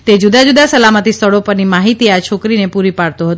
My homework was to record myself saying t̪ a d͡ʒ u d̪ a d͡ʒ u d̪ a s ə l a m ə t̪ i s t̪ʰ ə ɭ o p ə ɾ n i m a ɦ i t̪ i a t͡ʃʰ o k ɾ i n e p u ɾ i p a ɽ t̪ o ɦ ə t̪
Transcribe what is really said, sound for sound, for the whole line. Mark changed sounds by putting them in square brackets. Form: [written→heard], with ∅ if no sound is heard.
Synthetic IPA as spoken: t̪ [a→e] d͡ʒ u d̪ a d͡ʒ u d̪ a s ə l a m ə t̪ i s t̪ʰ ə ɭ o p ə ɾ n i m a ɦ i t̪ i a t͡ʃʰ o k ɾ i n e p u ɾ i p a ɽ t̪ o ɦ ə t̪